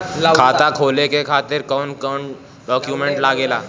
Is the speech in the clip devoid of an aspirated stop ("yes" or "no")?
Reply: no